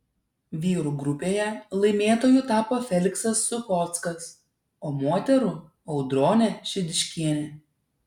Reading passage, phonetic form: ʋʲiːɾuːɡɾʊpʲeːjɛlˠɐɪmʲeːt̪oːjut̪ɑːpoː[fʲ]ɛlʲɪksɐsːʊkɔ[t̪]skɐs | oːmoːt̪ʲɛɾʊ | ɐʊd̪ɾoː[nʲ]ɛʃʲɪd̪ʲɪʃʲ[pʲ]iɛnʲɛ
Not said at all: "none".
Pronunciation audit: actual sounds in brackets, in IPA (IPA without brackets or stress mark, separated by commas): fʲ, t̪, nʲ, kʲ